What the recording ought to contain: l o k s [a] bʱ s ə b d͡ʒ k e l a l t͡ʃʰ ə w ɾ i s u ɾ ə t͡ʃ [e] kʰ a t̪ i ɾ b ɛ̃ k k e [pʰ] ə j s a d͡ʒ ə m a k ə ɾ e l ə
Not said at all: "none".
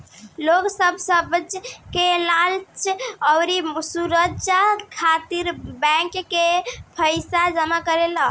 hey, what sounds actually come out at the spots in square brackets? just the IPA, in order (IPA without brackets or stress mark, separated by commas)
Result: ə, a, pʰ